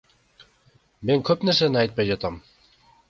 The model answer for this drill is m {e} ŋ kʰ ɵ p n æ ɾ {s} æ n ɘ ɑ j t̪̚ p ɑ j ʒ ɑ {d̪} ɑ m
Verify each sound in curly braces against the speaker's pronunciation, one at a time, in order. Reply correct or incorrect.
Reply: correct, correct, incorrect

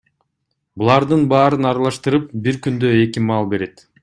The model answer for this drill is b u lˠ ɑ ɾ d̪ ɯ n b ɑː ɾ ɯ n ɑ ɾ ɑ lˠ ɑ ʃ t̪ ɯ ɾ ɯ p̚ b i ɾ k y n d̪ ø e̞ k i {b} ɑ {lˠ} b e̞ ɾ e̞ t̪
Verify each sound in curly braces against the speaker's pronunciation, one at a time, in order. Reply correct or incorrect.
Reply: incorrect, correct

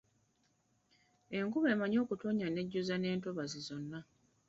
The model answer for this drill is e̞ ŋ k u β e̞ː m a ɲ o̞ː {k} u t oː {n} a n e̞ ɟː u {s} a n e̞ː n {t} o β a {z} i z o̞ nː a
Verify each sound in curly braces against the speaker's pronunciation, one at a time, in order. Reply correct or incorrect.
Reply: correct, incorrect, incorrect, correct, correct

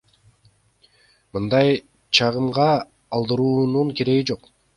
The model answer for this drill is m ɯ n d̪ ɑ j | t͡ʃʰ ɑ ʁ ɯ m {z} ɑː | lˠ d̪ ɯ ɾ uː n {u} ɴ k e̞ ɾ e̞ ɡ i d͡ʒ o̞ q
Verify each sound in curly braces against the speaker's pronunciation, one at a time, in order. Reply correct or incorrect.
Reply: incorrect, correct

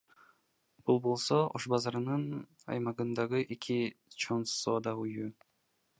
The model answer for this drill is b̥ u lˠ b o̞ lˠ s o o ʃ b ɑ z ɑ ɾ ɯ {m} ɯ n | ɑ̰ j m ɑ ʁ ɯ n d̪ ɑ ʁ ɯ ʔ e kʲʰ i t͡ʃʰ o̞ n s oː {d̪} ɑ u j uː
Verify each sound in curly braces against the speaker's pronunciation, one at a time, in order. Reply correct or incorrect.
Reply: incorrect, correct

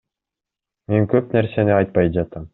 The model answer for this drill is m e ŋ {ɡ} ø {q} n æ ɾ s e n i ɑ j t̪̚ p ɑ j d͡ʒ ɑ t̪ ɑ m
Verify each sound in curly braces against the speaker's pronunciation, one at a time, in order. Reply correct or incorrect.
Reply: incorrect, incorrect

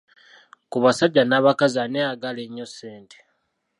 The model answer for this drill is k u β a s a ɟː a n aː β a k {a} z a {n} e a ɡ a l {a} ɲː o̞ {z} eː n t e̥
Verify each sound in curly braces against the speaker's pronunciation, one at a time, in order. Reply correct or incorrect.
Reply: correct, correct, incorrect, incorrect

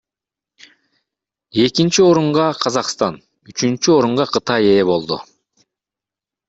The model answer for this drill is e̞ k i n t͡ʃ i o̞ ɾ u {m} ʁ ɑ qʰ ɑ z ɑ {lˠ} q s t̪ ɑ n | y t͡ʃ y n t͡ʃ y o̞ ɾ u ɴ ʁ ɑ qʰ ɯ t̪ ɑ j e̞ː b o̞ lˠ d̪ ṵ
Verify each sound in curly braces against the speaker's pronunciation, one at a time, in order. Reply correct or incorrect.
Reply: incorrect, incorrect

